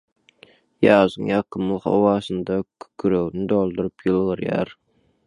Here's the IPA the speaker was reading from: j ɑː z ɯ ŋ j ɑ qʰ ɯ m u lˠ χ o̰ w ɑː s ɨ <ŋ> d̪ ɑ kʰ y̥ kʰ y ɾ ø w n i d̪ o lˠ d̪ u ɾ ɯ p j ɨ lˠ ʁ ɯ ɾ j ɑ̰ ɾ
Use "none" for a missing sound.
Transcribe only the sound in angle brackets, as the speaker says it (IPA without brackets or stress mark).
n